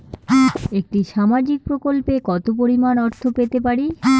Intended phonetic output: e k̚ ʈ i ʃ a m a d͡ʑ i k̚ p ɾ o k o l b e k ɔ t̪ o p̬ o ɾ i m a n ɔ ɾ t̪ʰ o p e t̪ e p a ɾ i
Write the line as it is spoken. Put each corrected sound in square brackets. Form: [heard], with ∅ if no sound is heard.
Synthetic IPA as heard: e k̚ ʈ i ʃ a m a d͡ʑ i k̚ p ɾ o k o l [p] e k ɔ t̪ o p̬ o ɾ i m a n ɔ ɾ t̪ʰ o p e t̪ e p a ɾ i